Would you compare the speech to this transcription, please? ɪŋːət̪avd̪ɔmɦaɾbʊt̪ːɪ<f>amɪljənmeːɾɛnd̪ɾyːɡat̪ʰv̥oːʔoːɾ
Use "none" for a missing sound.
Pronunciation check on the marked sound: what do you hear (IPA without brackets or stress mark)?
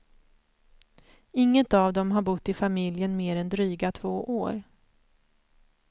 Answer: f